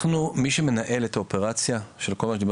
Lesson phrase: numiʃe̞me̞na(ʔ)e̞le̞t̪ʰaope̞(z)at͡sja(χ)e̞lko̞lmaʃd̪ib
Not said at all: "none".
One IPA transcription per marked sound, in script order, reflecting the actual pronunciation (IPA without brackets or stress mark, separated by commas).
ʔ, ʁ, ʃ